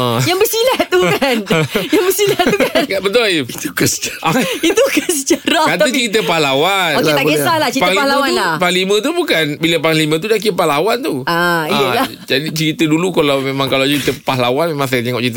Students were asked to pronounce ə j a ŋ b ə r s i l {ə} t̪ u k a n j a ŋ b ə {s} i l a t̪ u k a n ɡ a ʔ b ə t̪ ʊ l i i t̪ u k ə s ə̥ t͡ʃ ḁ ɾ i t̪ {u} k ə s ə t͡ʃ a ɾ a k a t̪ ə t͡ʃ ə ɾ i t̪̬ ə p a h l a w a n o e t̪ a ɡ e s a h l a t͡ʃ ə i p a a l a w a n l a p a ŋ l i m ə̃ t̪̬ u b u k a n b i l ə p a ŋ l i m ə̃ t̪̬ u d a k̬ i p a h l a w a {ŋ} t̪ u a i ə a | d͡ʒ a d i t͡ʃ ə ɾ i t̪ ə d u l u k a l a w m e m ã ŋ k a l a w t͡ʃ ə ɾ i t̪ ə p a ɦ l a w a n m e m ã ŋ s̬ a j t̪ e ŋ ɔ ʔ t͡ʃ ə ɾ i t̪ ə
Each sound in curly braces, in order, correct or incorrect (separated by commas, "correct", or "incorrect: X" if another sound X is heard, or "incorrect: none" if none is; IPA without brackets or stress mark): incorrect: a, correct, correct, incorrect: n